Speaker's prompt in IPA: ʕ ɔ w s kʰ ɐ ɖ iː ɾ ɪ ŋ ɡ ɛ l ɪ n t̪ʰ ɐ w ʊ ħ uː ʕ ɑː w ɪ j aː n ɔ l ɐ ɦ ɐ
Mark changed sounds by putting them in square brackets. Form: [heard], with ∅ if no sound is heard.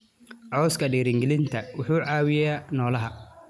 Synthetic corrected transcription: ʕ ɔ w s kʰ ɐ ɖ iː ɾ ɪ ŋ ɡ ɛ l ɪ n t̪ʰ ɐ w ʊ ħ uː ʕ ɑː w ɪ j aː n [ɔː] l ɐ ɦ ɐ